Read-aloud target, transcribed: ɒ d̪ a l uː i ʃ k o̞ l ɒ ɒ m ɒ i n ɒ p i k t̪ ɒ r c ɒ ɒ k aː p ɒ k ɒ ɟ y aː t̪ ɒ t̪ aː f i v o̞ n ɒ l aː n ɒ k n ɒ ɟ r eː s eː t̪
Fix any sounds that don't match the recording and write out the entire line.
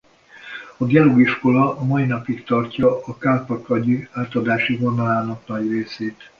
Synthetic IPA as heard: ɒ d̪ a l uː i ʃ k o̞ l ɒ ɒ m ɒ i n ɒ p i k t̪ ɒ r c ɒ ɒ k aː p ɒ k ɒ ɟ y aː t̪ ɒ d̪ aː ʃ i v o̞ n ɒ l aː n ɒ k n ɒ ɟ r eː s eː t̪